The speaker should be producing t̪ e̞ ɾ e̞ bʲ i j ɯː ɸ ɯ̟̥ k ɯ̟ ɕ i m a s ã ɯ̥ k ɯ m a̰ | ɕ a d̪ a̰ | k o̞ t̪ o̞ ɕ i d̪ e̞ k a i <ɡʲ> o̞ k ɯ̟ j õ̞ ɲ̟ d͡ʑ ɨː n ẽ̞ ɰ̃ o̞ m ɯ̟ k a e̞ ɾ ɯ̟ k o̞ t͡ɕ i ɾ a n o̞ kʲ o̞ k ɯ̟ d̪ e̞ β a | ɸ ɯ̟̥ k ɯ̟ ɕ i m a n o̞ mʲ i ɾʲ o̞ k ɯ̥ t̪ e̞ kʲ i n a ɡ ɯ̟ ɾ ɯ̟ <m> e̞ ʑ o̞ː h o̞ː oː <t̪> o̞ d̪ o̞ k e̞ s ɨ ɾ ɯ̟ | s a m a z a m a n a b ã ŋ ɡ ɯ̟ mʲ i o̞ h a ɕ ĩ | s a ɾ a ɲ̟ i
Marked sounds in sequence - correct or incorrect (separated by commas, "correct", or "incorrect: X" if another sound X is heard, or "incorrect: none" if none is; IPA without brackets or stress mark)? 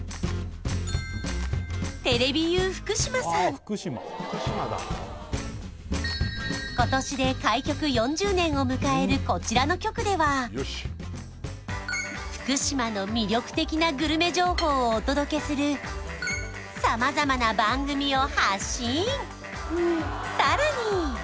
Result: incorrect: kʲ, correct, correct